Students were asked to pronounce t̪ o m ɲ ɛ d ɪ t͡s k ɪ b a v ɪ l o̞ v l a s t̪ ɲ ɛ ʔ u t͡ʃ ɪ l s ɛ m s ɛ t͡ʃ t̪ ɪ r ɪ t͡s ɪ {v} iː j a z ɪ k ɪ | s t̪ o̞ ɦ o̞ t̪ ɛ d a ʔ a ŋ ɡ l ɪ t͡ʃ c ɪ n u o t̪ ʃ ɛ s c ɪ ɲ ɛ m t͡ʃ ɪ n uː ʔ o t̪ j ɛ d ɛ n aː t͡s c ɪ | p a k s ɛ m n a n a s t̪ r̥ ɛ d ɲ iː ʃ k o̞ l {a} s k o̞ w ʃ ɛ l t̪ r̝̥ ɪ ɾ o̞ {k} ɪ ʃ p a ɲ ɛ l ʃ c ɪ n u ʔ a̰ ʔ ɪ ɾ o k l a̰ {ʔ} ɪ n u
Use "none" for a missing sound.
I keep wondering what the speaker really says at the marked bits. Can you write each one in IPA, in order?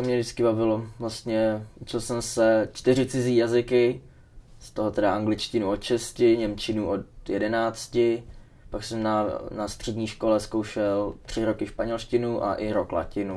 z, ɛ, k, c

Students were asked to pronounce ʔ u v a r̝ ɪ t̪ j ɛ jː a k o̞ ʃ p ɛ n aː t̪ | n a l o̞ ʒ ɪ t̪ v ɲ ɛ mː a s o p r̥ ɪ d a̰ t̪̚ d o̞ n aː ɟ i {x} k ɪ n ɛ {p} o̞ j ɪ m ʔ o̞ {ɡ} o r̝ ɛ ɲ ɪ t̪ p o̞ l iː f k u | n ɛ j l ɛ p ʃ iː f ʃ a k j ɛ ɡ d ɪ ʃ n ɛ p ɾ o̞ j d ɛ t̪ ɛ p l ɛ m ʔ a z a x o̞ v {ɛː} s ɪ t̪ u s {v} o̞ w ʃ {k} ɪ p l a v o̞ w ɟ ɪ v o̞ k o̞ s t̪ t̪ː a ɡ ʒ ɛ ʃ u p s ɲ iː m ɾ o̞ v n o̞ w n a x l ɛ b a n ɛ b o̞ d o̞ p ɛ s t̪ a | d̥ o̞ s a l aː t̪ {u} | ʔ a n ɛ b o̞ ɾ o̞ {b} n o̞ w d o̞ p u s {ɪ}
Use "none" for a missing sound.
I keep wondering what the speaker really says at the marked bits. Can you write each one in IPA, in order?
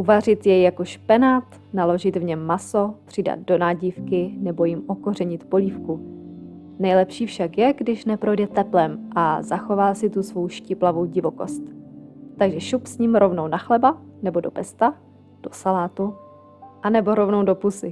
f, b, k, aː, v, c, u, v, ɪ

